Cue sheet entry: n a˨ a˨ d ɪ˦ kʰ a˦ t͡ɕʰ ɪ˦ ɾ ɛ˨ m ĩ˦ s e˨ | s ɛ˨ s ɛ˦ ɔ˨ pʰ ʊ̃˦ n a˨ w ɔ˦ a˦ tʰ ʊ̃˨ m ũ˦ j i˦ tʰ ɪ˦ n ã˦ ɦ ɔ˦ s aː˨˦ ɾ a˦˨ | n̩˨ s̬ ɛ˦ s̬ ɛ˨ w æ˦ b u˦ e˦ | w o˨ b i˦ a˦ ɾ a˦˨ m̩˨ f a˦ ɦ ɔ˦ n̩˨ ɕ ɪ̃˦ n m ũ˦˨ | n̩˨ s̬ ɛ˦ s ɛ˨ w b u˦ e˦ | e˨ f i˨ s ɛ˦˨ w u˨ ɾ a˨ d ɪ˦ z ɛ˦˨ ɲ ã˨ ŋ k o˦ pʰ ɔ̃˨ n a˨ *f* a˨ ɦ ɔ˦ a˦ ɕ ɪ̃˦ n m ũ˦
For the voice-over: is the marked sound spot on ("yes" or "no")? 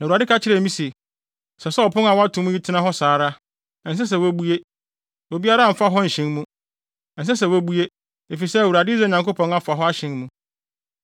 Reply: yes